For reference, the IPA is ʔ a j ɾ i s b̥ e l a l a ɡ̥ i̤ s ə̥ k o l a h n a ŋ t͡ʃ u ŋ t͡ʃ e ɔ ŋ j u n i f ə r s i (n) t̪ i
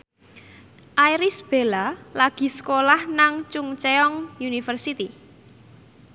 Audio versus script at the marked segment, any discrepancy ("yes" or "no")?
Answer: yes